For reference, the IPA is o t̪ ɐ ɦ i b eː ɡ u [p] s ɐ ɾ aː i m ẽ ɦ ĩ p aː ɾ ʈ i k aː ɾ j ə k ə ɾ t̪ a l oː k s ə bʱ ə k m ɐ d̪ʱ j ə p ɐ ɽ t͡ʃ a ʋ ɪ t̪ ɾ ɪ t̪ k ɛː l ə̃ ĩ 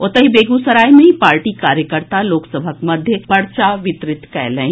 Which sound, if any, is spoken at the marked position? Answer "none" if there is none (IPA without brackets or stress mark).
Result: none